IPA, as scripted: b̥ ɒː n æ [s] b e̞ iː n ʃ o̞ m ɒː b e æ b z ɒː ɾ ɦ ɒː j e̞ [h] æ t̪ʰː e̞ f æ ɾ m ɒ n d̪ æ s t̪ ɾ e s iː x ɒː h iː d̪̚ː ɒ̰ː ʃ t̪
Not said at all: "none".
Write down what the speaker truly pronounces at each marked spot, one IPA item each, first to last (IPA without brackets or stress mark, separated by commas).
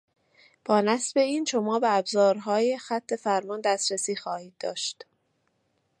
s, x